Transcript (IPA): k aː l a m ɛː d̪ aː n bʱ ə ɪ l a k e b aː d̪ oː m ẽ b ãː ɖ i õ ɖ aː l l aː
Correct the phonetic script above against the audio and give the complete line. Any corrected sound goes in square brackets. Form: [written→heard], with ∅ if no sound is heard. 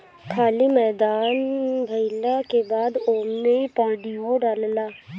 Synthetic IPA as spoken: [k→kʰ] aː l [a→i] m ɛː d̪ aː n bʱ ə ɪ l a k e b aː d̪ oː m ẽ [b→p] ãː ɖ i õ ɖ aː l l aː